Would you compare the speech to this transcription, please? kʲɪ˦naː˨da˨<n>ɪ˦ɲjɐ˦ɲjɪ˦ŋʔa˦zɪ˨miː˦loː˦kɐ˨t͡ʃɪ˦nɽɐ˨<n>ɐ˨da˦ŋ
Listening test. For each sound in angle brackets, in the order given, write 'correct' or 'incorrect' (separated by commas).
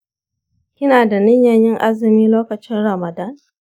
correct, incorrect